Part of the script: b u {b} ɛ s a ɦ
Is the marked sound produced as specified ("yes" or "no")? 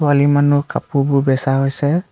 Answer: yes